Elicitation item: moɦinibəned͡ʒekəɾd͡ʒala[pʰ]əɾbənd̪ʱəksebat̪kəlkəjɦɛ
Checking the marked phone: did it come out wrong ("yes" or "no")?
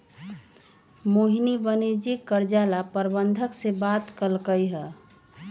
yes